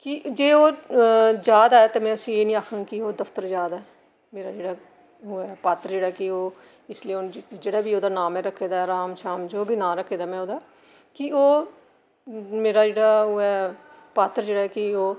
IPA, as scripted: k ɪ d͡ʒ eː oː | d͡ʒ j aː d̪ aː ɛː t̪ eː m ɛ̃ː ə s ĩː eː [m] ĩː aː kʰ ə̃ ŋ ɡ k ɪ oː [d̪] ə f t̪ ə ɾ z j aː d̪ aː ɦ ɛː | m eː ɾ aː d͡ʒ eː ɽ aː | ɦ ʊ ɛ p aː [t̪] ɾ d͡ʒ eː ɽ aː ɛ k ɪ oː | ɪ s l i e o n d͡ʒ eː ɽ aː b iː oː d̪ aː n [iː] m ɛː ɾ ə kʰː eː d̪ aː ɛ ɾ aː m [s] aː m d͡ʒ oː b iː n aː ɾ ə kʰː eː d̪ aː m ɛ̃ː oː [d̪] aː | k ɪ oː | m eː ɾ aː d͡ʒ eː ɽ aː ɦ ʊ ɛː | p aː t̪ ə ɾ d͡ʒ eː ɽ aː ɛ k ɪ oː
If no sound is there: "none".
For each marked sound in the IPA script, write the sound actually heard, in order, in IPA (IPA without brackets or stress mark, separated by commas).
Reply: n, d̪, t̪, aː, ʃ, d̪